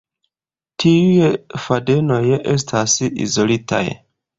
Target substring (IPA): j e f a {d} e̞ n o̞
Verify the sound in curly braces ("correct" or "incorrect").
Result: correct